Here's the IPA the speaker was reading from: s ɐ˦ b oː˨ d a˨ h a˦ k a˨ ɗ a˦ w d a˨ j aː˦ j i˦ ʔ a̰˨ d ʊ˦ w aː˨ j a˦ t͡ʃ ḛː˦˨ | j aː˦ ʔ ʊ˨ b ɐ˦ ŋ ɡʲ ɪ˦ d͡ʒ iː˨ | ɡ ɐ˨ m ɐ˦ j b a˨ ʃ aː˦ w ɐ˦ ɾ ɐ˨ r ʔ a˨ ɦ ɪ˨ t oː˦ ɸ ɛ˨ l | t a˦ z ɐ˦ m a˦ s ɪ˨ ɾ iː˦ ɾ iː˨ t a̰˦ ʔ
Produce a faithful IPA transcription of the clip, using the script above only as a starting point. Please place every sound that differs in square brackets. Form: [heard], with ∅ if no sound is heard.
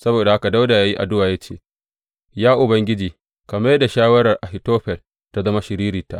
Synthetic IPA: s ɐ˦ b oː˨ d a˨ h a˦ k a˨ [d] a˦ w d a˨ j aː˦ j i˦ ʔ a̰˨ d ʊ˦ w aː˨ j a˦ t͡ʃ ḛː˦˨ | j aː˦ ʔ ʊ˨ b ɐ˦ ŋ ɡʲ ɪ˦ d͡ʒ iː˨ | [k] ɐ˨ m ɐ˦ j [d] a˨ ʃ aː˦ w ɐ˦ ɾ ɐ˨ r ʔ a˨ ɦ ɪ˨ t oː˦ ɸ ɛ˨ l | t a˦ z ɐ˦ m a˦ [ʃ] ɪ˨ ɾ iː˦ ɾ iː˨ t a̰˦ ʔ